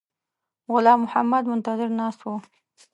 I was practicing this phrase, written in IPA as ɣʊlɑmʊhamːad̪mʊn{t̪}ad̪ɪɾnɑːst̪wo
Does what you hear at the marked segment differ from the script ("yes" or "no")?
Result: no